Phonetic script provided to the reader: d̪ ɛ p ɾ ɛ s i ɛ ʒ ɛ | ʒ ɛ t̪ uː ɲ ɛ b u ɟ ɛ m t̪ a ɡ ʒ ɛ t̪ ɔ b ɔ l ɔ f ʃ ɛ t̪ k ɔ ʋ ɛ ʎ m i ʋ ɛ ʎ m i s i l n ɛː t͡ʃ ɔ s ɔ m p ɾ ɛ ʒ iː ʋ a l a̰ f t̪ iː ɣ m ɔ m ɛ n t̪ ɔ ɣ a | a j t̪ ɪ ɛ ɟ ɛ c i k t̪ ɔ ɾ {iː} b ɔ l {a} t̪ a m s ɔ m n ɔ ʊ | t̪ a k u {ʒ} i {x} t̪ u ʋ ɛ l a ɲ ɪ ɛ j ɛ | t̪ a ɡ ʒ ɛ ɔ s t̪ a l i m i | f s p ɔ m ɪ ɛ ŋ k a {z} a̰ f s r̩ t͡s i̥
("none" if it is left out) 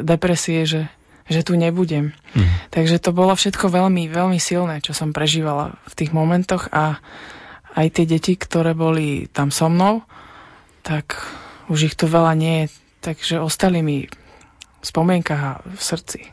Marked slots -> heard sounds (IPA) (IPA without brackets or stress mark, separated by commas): ɛː, i, ʒ, x, ɣ